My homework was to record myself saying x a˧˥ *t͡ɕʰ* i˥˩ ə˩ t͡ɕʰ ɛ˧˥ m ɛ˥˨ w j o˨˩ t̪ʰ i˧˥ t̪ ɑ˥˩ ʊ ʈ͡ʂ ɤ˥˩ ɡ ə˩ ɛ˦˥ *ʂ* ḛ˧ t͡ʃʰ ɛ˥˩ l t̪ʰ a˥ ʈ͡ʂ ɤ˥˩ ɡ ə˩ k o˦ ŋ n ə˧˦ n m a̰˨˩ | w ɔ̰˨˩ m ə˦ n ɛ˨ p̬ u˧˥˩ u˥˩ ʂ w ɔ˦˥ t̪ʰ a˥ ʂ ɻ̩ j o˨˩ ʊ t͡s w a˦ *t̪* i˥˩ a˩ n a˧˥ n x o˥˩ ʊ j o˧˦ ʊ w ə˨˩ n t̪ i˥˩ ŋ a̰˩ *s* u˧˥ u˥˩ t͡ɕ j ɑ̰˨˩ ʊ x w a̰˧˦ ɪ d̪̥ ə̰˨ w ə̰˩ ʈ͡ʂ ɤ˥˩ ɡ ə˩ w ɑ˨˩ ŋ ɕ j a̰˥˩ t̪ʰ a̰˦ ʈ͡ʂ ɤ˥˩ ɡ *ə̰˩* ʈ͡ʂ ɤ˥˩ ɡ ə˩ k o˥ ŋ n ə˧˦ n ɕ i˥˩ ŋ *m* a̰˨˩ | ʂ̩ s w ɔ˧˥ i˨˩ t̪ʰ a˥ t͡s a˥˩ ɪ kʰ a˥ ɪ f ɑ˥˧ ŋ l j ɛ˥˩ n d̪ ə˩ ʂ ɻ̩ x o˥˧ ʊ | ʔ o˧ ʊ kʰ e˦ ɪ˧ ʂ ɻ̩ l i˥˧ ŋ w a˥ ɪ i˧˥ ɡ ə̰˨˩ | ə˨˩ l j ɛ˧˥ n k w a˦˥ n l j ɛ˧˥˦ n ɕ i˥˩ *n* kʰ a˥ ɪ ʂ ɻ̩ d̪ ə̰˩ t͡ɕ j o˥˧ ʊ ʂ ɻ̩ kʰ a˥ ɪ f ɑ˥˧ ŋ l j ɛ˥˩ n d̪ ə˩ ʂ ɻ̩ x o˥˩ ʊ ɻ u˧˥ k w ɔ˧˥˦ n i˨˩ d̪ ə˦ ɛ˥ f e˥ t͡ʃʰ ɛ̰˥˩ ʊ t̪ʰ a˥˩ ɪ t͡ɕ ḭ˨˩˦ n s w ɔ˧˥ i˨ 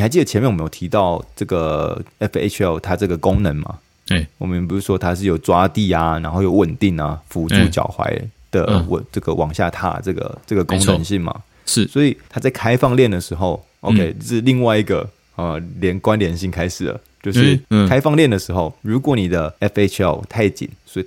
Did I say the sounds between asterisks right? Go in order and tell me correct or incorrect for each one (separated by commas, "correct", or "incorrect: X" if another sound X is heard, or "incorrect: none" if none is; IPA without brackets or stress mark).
incorrect: t͡ɕ, incorrect: f, correct, incorrect: f, correct, correct, incorrect: ŋ